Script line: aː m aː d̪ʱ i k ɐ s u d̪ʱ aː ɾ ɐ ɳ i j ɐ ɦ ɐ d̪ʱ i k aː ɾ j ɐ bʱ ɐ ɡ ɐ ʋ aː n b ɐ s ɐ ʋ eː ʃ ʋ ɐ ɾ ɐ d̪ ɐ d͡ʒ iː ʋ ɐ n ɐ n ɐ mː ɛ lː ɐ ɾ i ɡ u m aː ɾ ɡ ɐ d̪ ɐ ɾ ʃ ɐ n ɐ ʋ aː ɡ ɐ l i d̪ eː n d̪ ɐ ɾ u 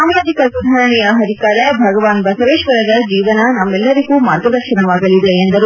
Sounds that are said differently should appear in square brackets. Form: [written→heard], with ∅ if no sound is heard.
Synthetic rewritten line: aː m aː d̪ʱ i k ɐ s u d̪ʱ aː ɾ ɐ ɳ i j ɐ ɦ ɐ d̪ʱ i k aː ɾ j ɐ bʱ ɐ ɡ ɐ ʋ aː n b ɐ s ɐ ʋ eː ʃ ʋ ɐ ɾ ɐ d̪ ɐ d͡ʒ iː ʋ ɐ n ɐ n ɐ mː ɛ lː ɐ ɾ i ɡ u m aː ɾ ɡ ɐ d̪ ɐ ɾ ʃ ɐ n ɐ ʋ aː ɡ ɐ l i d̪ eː n d̪ ɐ ɾ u

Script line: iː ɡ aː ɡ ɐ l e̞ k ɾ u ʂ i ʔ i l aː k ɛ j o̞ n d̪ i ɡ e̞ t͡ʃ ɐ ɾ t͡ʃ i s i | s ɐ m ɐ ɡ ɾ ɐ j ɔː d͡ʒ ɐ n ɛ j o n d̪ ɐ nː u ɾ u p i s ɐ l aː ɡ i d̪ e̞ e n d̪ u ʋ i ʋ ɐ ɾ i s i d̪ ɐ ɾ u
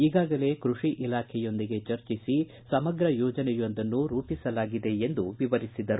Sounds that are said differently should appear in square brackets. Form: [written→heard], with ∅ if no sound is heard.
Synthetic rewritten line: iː ɡ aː ɡ ɐ l e̞ k ɾ u ʂ i ʔ i l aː [k→kʰ] ɛ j o̞ n d̪ i ɡ e̞ t͡ʃ ɐ ɾ t͡ʃ i s i | s ɐ m ɐ ɡ ɾ ɐ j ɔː d͡ʒ ɐ n ɛ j o n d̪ ɐ nː u ɾ [u→uː] p i s ɐ l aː ɡ i d̪ e̞ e n d̪ u ʋ i ʋ ɐ ɾ i s i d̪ ɐ ɾ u

